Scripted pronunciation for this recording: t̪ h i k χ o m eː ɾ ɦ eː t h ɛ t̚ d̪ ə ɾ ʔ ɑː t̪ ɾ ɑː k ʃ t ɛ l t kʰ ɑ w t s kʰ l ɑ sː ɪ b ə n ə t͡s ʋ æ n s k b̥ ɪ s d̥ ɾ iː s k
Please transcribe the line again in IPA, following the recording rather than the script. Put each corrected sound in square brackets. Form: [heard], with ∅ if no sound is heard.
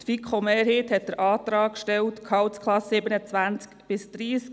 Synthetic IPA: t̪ [f] i k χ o m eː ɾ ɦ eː t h ɛ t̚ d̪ ə ɾ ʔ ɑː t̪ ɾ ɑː k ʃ t ɛ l t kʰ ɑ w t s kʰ l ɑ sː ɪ b ə n ə t͡s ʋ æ n [t͡s] k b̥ ɪ s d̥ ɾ iː s k